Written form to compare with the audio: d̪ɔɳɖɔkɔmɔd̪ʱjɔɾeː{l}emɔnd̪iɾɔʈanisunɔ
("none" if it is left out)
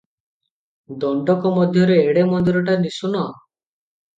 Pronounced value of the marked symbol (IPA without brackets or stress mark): ɽ